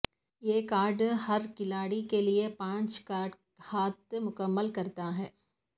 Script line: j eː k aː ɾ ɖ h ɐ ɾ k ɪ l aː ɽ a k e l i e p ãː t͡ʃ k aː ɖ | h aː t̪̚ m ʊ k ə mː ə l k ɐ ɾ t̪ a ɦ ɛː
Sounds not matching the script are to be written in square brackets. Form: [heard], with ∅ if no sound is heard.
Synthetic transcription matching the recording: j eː k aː ɾ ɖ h ɐ ɾ k ɪ l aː ɽ [i] k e l i e p ãː t͡ʃ k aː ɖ | h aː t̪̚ m ʊ k ə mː ə l k ɐ ɾ t̪ a ɦ ɛː